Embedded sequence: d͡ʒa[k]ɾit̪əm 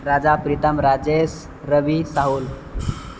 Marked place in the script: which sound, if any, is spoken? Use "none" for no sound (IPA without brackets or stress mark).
p